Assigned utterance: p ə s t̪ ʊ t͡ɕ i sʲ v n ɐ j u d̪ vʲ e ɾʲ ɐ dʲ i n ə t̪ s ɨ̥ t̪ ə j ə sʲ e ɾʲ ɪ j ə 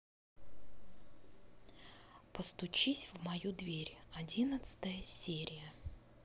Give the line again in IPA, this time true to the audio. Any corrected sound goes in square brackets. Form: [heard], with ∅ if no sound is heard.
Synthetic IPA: p ə s t̪ ʊ t͡ɕ i sʲ v [m] ɐ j u d̪ vʲ e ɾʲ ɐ dʲ i n ə t̪ s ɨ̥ t̪ ə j ə sʲ e ɾʲ ɪ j ə